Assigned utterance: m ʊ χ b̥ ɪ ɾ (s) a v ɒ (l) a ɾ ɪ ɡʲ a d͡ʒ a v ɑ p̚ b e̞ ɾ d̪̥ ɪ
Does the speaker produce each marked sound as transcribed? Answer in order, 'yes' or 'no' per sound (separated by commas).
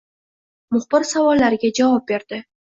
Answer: yes, no